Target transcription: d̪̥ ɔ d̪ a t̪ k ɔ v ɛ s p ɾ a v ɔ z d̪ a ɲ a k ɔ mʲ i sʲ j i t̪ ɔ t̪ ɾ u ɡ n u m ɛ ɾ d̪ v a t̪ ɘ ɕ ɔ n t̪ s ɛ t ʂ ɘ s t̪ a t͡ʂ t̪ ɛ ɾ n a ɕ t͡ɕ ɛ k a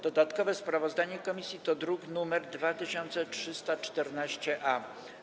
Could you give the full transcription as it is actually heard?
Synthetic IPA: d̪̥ ɔ d̪ a t̪ k ɔ v ɛ s p ɾ a v ɔ z d̪ a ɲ ɛ k ɔ mʲ i sʲ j i t̪ ɔ d̪ ɾ u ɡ n u m ɛ ɾ d̪ v a t̪ ɘ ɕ ɔ n t̪ s ɛ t ʂ ɘ s t̪ a t͡ʂ t̪ ɛ ɾ n a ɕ t͡ɕ ɛ ʔ a